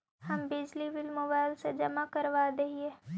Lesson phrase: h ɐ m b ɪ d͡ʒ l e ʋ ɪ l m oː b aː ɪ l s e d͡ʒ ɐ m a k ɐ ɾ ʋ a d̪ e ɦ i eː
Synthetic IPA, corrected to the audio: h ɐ m b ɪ d͡ʒ l i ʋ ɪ l m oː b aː ɪ l s e d͡ʒ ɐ m a k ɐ ɾ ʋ a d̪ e ɦ i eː

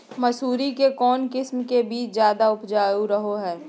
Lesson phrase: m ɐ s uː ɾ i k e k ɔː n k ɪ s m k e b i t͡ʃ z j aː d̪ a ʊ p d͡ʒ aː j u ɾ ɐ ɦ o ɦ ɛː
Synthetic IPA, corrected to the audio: m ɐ s uː ɾ i k e k ɔː n k ɪ s m k e b iː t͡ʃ z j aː d̪ a ʊ p d͡ʒ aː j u ɾ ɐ ɦ o ɦ ɛː

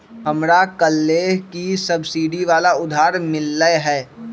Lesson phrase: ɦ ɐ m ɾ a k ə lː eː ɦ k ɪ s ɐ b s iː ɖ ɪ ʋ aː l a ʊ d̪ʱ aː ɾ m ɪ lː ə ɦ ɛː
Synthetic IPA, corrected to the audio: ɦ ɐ m ɾ a k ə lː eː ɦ k i s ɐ b s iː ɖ i ʋ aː l a ʊ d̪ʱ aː ɾ m ɪ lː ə ɦ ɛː

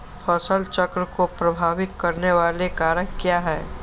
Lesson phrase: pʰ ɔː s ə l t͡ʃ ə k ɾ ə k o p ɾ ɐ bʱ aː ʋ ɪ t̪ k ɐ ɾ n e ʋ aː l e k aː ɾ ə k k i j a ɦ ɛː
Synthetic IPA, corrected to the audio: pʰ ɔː s ə l t͡ʃ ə k ɾ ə k o p ɾ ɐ bʱ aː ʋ ɪ t̪ k ɐ ɾ n e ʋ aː l e k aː ɾ ə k k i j a ɦ ɛː

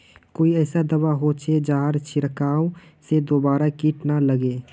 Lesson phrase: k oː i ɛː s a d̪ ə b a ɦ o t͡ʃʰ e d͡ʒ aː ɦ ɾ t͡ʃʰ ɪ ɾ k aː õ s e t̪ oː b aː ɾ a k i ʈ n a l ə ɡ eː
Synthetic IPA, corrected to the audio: k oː i ɛː s a d̪ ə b a ɦ o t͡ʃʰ e d͡ʒ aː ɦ ɾ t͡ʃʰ ɪ ɾ k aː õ s e d̪ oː b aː ɾ a k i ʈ n a l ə ɡ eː

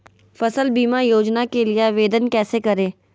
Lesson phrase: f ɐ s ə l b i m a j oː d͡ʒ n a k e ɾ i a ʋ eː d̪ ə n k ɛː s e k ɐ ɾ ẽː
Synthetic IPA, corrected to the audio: f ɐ s ə l b iː m a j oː d͡ʒ n a k e l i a ʋ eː d̪ ə n k ɛː s e k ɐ ɾ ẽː

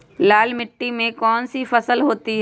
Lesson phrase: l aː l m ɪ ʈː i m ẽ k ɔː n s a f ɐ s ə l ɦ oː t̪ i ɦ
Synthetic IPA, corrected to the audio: l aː l m ɪ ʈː i m ẽ k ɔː n s i f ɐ s ə l ɦ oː t̪ i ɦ

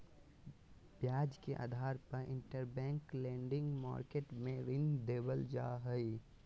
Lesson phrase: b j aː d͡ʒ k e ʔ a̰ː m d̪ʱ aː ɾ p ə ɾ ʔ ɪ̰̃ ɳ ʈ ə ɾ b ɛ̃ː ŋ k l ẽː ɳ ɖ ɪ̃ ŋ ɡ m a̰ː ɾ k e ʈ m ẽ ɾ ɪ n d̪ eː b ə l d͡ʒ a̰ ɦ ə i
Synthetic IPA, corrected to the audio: b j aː d͡ʒ k e ʔ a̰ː d̪ʱ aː ɾ p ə ɾ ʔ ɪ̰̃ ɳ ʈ ə ɾ b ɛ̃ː ŋ k l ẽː ɳ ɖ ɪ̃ ŋ ɡ m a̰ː ɾ k e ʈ m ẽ ɾ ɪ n d̪ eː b ə l d͡ʒ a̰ ɦ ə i

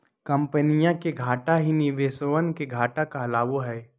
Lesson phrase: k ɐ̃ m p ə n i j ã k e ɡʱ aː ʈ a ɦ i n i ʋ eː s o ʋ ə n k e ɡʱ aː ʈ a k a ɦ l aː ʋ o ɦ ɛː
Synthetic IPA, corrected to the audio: k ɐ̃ m p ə n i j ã k e ɡʱ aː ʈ a ɦ i n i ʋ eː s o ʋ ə n k e ɡʱ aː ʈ a k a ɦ l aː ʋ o ɦ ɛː

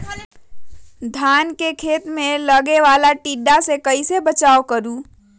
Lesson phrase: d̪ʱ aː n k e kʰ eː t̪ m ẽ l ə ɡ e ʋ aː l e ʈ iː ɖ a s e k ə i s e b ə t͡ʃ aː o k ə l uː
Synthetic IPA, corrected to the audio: d̪ʱ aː n k e kʰ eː t̪ m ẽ l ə ɡ e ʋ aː l a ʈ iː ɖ a s e k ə i s e b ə t͡ʃ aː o k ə ɾ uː

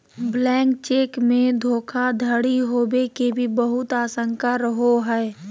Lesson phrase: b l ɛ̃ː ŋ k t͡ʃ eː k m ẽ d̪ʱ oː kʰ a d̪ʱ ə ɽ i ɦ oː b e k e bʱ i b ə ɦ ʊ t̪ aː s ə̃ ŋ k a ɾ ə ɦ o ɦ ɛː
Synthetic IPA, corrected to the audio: b l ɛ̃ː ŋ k t͡ʃ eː k m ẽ d̪ʱ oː kʰ a d̪ʱ ə ɽ i ɦ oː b e k e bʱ i b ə ɦ ʊ t̪ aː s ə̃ ŋ k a ɾ ə ɦ o ɦ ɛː

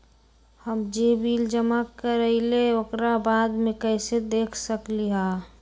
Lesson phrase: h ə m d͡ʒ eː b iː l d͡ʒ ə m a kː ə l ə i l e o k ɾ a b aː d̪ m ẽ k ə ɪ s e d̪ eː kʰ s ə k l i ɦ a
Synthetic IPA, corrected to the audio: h ə m d͡ʒ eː b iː l d͡ʒ ə m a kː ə ɾ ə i l e o k ɾ a b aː d̪ m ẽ k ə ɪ s e d̪ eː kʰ s ə k l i ɦ a

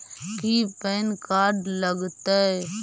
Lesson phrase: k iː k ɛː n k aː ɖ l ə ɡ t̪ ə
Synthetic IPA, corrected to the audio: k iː p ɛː n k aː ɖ l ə ɡ t̪ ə

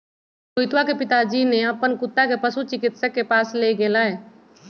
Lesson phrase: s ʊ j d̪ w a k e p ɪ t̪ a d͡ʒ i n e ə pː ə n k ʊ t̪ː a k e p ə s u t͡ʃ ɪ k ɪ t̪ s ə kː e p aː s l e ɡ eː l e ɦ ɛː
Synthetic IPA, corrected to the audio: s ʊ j t̪ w a k e p ɪ t̪ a d͡ʒ i n e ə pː ə n k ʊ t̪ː a k e p ə s u t͡ʃ ɪ k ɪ t̪ s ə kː e p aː s l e ɡ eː l a ɦ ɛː

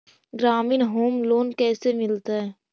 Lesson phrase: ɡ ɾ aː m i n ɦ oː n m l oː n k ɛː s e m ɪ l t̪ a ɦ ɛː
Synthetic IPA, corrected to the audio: ɡ ɾ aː m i n ɦ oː m l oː n k ɛː s e m ɪ l t̪ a ɦ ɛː

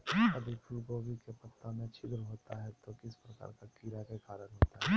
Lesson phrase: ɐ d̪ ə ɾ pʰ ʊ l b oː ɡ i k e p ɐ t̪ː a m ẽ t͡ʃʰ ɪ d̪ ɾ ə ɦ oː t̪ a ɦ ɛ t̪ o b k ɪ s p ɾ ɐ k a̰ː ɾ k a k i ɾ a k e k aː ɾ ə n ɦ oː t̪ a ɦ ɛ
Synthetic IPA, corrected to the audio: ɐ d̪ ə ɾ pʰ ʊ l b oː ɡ i k e p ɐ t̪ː a m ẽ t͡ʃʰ ɪ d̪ ɾ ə ɦ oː t̪ a ɦ ɛ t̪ o k ɪ s p ɾ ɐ k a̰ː ɾ k a k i ɾ a k e k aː ɾ ə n ɦ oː t̪ a ɦ ɛ

